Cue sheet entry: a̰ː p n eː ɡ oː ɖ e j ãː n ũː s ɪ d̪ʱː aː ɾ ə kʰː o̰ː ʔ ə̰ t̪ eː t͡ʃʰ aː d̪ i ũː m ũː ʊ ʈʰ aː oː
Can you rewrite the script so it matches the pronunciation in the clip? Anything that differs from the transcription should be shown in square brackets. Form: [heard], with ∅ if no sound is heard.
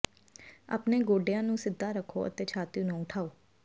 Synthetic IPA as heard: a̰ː p n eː ɡ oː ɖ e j ãː n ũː s ɪ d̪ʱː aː ɾ ə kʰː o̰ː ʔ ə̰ t̪ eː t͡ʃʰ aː [t̪] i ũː [n] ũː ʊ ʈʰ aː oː